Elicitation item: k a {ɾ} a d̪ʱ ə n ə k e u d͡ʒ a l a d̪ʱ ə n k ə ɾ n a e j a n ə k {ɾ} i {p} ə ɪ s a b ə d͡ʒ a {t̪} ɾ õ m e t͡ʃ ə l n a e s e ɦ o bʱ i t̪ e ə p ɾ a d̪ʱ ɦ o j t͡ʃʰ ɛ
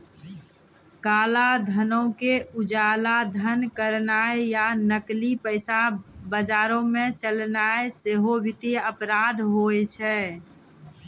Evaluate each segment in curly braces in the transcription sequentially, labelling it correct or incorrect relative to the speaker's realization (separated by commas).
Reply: incorrect, incorrect, correct, incorrect